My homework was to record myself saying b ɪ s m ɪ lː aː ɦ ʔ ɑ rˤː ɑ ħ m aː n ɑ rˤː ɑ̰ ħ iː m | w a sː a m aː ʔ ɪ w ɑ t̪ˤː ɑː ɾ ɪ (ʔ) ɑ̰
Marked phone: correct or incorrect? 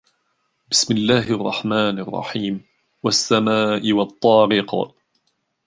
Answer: incorrect